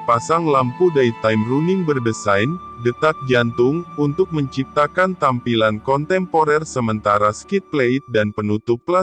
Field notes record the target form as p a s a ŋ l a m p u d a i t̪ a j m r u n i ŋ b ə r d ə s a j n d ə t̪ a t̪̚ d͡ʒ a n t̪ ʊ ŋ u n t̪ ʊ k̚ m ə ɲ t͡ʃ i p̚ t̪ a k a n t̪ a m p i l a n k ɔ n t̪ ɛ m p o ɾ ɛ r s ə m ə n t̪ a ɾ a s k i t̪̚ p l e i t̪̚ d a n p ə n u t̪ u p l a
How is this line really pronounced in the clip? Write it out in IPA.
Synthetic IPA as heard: p a s a ŋ l a m p u d a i t̪ a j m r u n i ŋ b ə r d ə s a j n d ə t̪ a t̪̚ d͡ʒ a n t̪ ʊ ŋ u n t̪ ʊ k̚ m ə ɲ t͡ʃ i p̚ t̪ a k a n t̪ a m p i l a n k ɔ n t̪ ɛ m p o ɾ ɛ r s ə m ə n t̪ a ɾ a s k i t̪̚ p l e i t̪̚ d a n p ə n u t̪ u p l a